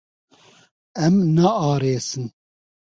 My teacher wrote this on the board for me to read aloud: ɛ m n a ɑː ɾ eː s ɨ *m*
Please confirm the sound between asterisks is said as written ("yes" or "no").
no